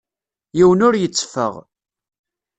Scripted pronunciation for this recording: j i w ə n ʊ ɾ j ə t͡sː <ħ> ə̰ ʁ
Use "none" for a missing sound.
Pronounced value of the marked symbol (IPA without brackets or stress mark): f